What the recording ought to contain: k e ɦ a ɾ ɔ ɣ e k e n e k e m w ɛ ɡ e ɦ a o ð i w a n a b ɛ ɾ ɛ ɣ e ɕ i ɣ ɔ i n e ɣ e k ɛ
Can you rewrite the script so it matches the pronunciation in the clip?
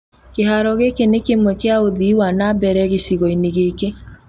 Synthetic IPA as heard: k e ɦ a ɾ ɔ ɣ e k e n e k e m w ɛ k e a o ð i w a n a b ɛ ɾ ɛ ɣ e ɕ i ɣ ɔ i n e ɣ e k e

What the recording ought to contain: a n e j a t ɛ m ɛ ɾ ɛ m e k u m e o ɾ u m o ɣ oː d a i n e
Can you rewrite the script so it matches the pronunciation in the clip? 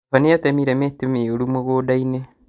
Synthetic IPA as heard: a n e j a t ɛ m i ɾ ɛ m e t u m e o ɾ u m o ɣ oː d a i n e

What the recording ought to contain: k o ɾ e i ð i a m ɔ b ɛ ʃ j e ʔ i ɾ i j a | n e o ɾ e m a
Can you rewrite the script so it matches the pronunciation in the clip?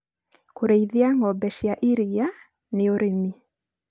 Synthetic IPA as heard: k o ɾ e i ð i a ŋ ɔ b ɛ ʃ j a ʔ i ɾ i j a | n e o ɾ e m i

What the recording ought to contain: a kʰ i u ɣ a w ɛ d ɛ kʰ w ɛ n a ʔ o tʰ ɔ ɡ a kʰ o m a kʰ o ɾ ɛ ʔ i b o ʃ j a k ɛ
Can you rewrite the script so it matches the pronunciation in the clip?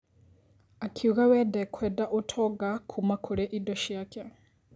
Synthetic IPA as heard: a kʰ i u ɣ a w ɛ d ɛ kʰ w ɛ d a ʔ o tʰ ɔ ɡ a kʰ u m a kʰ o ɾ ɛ ʔ i d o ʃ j a k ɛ

